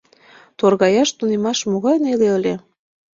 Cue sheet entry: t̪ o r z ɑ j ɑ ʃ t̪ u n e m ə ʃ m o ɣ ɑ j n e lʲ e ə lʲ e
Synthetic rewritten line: t̪ o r ɣ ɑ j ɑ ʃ t̪ u n e m ɑ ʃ m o ɣ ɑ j n e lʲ e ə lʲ e